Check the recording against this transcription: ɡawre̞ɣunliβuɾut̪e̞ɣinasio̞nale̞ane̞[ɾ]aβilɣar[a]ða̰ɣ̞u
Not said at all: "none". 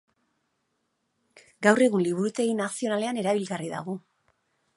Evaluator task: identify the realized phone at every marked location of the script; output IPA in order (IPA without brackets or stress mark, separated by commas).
ɾ, i